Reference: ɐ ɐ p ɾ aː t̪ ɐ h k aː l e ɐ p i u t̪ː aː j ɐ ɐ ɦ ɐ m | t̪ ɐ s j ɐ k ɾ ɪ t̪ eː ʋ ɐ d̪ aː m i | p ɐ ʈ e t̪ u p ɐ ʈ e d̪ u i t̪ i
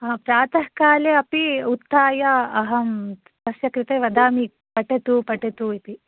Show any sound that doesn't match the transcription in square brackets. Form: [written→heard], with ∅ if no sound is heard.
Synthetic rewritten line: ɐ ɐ p ɾ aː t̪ ɐ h k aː l e ɐ p i u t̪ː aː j ɐ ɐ ɦ ɐ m | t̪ ɐ s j ɐ k ɾ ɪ t̪ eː ʋ ɐ d̪ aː m i | p ɐ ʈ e t̪ u p ɐ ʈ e [d̪→t̪] u i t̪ i